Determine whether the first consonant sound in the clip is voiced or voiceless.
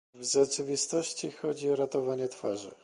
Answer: voiced